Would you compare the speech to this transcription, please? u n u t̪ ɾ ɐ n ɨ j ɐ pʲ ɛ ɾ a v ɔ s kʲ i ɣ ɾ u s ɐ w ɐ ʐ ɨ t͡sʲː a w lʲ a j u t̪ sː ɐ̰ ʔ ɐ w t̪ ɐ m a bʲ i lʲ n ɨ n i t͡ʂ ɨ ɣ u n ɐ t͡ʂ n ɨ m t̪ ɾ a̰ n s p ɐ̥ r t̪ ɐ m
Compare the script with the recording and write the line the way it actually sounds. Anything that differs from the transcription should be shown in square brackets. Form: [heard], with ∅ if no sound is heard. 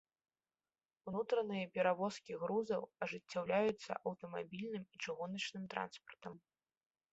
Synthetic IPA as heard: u n u t̪ ɾ ɐ n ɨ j ɐ pʲ ɛ ɾ a v ɔ s kʲ i ɣ ɾ u [z] ɐ w ɐ ʐ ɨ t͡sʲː a w lʲ a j u t̪ sː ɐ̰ ʔ ɐ w t̪ ɐ m a bʲ i lʲ n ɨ [m] i t͡ʂ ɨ ɣ u n ɐ t͡ʂ n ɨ m t̪ ɾ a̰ n s p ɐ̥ r t̪ ɐ m